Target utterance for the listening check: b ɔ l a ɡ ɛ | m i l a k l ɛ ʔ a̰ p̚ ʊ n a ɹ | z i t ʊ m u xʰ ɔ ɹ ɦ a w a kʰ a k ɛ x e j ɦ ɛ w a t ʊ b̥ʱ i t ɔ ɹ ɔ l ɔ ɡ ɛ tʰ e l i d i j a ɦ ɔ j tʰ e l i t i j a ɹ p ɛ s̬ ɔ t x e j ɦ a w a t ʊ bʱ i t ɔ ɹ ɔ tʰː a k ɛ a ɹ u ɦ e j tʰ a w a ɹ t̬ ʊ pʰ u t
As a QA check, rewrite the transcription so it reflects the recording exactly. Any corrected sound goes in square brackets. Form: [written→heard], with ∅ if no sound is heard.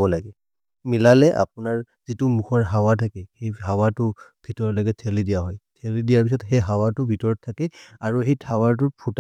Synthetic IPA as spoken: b ɔ l a ɡ ɛ | m i l a [k→∅] l ɛ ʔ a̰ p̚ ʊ n a ɹ | z i t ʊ m u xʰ ɔ ɹ ɦ a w a [kʰ→tʰ] a k ɛ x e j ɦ [ɛ→a] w a t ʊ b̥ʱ i t ɔ ɹ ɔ l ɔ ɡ ɛ tʰ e l i d i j a ɦ ɔ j tʰ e l i [t→d] i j a ɹ p [ɛ→i] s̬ ɔ t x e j ɦ a w a t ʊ bʱ i t ɔ ɹ ɔ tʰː a k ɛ a ɹ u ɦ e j tʰ a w a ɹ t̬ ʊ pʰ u t